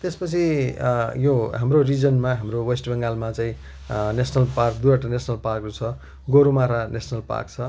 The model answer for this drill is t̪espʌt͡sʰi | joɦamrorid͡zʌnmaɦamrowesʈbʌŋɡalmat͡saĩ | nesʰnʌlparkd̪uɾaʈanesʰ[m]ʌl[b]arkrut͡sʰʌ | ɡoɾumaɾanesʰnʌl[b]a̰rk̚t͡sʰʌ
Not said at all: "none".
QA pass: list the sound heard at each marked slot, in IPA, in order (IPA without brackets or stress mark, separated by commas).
n, p, p